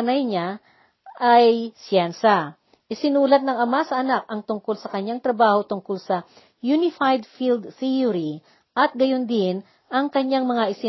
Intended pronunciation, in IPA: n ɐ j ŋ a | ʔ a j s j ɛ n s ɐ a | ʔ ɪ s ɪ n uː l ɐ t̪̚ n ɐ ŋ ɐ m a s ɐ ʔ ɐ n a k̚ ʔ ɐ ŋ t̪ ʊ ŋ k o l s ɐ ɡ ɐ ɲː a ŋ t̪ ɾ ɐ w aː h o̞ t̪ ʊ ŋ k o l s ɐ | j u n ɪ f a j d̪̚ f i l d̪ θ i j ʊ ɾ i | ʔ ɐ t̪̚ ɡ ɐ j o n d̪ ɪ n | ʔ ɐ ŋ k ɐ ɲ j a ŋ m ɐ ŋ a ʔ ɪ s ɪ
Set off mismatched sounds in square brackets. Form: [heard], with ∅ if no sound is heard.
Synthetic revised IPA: n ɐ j [ɲ] a | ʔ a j s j ɛ n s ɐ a | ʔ ɪ s ɪ n uː l ɐ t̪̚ n ɐ ŋ ɐ m a s ɐ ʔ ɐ n a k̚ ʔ ɐ ŋ t̪ ʊ ŋ k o l s ɐ [k] ɐ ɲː a ŋ t̪ ɾ ɐ [b] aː h o̞ t̪ ʊ ŋ k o l s ɐ | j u n ɪ f a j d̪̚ f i l d̪ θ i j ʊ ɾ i | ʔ ɐ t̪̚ ɡ ɐ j o n d̪ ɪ n | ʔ ɐ ŋ k ɐ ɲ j a ŋ m ɐ ŋ a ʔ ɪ s ɪ